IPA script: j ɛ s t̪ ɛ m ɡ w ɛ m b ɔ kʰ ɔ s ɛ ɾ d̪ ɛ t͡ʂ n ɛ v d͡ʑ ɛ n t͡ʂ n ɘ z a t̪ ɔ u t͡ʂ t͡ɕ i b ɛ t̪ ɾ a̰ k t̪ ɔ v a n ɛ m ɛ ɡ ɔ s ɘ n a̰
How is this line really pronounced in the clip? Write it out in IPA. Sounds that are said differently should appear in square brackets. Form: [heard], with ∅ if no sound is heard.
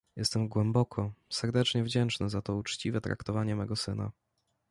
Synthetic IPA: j ɛ s t̪ ɛ m ɡ w ɛ m b ɔ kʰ ɔ s ɛ ɾ d̪ ɛ t͡ʂ [ɲ] ɛ v d͡ʑ ɛ n t͡ʂ n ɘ z a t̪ ɔ u t͡ʂ t͡ɕ i [v] ɛ t̪ ɾ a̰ k t̪ ɔ v a [ɲ] ɛ m ɛ ɡ ɔ s ɘ n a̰

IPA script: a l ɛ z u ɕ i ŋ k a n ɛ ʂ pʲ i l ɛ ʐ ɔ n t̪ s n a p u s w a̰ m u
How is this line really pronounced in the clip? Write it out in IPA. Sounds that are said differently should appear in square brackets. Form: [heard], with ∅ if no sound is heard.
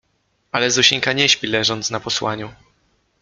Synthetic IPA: a l ɛ z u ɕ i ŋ k a [ɲ] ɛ [ɕ] pʲ i l ɛ ʐ ɔ n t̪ s n a p [ɔ] s w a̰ [ɲ] u

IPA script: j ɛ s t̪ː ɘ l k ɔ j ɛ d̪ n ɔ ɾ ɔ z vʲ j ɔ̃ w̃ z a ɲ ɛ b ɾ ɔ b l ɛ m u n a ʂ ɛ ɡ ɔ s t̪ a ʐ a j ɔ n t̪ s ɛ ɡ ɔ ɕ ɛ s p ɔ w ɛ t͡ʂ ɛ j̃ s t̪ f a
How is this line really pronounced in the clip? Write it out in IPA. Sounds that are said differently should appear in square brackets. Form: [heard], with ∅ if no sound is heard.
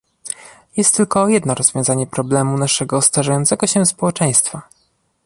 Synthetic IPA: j ɛ s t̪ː ɘ l k ɔ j ɛ d̪ n ɔ ɾ ɔ z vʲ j ɔ̃ w̃ z a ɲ ɛ [p] ɾ ɔ b l ɛ m u n a ʂ ɛ ɡ ɔ s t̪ a ʐ a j ɔ n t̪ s ɛ ɡ ɔ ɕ ɛ s p ɔ w ɛ t͡ʂ ɛ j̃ s t̪ f a

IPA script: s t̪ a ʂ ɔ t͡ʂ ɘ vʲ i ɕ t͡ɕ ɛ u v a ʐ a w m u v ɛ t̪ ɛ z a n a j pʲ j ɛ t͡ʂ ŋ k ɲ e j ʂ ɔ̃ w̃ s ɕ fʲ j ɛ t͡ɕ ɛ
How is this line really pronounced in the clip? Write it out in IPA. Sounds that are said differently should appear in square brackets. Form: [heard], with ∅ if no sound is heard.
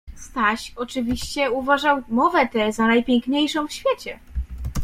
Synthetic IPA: s t̪ a [ɕ] ɔ t͡ʂ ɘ vʲ i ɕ t͡ɕ ɛ u v a ʐ a w m [ɔ] v ɛ t̪ ɛ z a n a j pʲ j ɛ [∅] ŋ k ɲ e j ʂ ɔ̃ w̃ [f] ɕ fʲ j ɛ t͡ɕ ɛ

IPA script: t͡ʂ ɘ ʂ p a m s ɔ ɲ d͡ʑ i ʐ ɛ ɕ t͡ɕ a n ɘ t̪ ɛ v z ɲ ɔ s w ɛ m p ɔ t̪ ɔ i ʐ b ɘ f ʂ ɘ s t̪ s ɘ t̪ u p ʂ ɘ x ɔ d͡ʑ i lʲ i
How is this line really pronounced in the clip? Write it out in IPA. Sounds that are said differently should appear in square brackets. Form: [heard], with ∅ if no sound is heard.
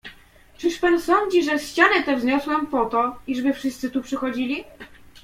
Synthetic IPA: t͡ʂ ɘ ʂ p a [n] s ɔ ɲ d͡ʑ i ʐ ɛ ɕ t͡ɕ a n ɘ t̪ ɛ v z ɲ ɔ s w ɛ m p ɔ t̪ ɔ i ʐ b ɘ f ʂ ɘ s t̪ s ɘ t̪ u p ʂ ɘ x ɔ d͡ʑ i lʲ i

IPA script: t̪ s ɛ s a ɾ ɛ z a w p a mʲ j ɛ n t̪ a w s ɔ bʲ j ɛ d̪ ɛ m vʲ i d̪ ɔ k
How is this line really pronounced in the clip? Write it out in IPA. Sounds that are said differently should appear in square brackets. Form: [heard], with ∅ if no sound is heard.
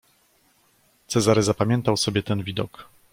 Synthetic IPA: t̪ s ɛ [z] a ɾ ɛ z a [∅] p a mʲ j ɛ n t̪ a w s ɔ bʲ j ɛ [t̪] ɛ [n] vʲ i d̪ ɔ k

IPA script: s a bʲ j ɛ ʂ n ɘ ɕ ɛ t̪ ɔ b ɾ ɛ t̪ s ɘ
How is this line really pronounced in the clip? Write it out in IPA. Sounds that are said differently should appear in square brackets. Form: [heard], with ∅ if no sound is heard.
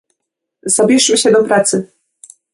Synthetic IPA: [z] a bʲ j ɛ ʂ [m] ɘ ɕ ɛ [d̪] ɔ [p] ɾ [a] t̪ s ɘ

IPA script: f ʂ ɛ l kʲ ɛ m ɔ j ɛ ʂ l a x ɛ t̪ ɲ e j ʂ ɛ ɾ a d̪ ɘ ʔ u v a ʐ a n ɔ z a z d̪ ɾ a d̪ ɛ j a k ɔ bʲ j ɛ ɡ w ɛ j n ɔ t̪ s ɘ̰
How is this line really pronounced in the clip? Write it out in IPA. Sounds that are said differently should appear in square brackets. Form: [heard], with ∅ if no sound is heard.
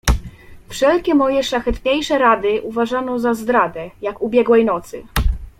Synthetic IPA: f ʂ ɛ l kʲ ɛ m ɔ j ɛ ʂ l a x ɛ t̪ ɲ e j ʂ ɛ ɾ a d̪ ɘ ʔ u v a ʐ a n ɔ z a z d̪ ɾ a d̪ ɛ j a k [u] bʲ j ɛ ɡ w ɛ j n ɔ t̪ s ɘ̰

